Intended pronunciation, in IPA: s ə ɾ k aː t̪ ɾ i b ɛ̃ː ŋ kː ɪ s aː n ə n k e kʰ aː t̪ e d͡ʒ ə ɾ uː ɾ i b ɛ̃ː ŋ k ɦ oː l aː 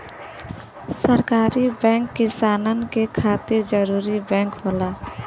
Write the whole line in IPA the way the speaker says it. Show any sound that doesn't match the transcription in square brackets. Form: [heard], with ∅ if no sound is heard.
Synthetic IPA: s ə ɾ k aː [∅] ɾ i b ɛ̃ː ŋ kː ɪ s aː n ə n k e kʰ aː t̪ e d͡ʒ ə ɾ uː ɾ i b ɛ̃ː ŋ k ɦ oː l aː